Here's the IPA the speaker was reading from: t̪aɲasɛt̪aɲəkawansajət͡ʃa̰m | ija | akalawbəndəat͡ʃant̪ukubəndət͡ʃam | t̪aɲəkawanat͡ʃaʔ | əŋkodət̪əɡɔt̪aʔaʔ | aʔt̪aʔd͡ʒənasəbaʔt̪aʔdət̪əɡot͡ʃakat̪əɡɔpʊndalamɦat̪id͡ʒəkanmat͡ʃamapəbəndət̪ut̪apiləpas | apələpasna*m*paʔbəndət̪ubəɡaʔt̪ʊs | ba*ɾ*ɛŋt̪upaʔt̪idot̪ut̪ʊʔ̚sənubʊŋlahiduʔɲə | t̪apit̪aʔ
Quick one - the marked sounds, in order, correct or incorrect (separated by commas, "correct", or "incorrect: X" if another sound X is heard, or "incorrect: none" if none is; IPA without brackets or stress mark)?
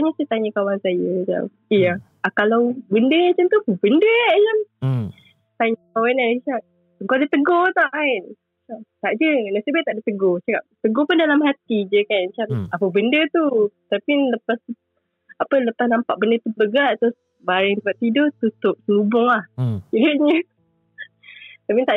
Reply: correct, correct